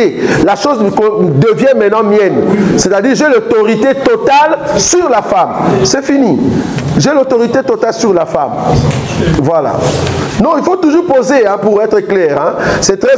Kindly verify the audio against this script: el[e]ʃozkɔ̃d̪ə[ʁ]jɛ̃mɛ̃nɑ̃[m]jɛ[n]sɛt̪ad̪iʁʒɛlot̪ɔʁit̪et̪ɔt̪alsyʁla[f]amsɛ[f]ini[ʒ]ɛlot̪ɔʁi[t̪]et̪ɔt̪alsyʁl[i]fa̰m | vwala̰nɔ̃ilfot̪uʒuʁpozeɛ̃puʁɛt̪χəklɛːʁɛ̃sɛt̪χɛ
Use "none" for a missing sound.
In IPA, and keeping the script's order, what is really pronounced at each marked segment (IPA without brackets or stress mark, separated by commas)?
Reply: a, v, m, n, f, f, ʒ, t̪, a